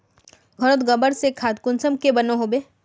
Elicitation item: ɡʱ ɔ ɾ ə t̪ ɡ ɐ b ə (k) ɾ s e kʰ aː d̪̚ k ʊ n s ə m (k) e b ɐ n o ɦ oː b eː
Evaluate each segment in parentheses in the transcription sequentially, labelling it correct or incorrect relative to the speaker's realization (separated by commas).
incorrect, correct